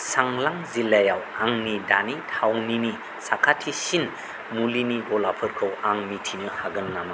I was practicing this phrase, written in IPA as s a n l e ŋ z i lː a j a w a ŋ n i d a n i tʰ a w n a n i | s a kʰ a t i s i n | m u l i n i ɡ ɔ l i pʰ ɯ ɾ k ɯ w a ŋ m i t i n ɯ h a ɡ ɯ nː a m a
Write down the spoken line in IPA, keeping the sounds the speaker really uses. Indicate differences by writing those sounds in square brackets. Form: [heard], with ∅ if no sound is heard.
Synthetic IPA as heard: s a [ŋ] l [a] ŋ z i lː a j a w a ŋ n i d a n i tʰ a w n [i] n i | s a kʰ a [tʰ] i s i n | m u l i n i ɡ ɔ l [a] pʰ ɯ ɾ [kʰ] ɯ w a ŋ m i [tʰ] i n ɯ h a ɡ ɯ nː a m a